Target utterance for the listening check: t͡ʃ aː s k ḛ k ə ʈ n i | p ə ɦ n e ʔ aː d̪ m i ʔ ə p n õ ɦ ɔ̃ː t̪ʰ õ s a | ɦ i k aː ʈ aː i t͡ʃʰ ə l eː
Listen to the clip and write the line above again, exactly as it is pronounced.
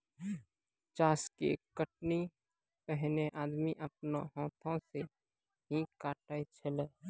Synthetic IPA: t͡ʃ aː s k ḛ k ə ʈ n i | p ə ɦ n e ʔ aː d̪ m i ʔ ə p n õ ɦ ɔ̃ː t̪ʰ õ s e | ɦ i k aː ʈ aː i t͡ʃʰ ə l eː

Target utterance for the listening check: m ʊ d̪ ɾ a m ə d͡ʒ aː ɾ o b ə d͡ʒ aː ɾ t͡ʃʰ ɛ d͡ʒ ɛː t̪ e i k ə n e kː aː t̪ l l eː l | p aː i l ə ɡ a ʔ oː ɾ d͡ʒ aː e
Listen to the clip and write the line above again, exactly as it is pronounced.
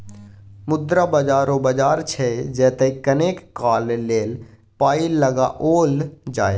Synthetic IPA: m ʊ d̪ ɾ a b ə d͡ʒ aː ɾ o b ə d͡ʒ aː ɾ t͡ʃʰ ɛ d͡ʒ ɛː t̪ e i k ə n e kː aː l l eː l | p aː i l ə ɡ a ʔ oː l d͡ʒ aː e

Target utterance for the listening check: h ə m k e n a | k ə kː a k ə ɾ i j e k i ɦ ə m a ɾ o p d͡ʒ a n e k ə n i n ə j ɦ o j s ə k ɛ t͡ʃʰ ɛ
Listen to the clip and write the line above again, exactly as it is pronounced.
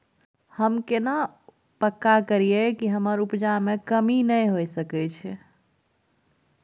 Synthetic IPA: h ə m k e n a | p ə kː a k ə ɾ i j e k i ɦ ə m ə ɾ u p d͡ʒ a m e k ə m i n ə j ɦ o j s ə k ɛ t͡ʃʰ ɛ

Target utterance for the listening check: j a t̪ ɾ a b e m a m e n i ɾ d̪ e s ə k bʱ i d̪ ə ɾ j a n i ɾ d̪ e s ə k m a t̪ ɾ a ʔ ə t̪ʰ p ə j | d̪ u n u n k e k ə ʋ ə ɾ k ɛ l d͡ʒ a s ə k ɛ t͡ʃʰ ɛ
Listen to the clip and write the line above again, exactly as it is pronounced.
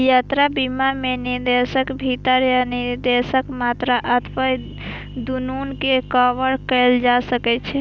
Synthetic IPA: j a t̪ ɾ a b i m a m e n i ɾ d̪ e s ə k bʱ i t̪ ə ɾ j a n i ɾ d̪ e s ə k m a t̪ ɾ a ʔ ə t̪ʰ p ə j | d̪ u n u n k e k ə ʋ ə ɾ k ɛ l d͡ʒ a s ə k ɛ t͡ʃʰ ɛ

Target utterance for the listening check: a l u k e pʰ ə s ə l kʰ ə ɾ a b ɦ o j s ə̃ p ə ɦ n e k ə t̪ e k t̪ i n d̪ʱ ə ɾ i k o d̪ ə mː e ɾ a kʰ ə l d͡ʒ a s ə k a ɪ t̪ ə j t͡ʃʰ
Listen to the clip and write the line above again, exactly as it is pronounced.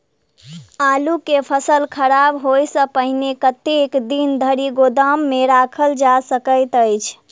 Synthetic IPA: a l u k e pʰ ə s ə l kʰ ə ɾ a b ɦ o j s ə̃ p ə ɦ n e k ə t̪ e k d̪ i n d̪ʱ ə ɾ i ɡ o d̪ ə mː e ɾ a kʰ ə l d͡ʒ a s ə k ə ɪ t̪ ə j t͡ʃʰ

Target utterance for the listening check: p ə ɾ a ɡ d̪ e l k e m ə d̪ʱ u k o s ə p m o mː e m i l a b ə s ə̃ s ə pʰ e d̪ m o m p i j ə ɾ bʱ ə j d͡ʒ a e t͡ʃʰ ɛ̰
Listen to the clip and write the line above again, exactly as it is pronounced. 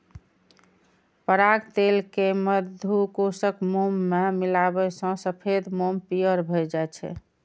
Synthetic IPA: p ə ɾ a ɡ t̪ e l k e m ə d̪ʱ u k o s ə k m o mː e m i l a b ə s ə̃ s ə pʰ e d̪ m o m p i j ə ɾ bʱ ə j d͡ʒ a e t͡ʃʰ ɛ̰

